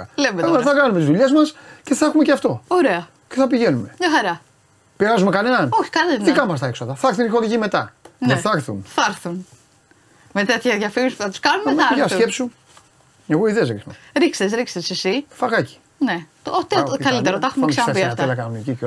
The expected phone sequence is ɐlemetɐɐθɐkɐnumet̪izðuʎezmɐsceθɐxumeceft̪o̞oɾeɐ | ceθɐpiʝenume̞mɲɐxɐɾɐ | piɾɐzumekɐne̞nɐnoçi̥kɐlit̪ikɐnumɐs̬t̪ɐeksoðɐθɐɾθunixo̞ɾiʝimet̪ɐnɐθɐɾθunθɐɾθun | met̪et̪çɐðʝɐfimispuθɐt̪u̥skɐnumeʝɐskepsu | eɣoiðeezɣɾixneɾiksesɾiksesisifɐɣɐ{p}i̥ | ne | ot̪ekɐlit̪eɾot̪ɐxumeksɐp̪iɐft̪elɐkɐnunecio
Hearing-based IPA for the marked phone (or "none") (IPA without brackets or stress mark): c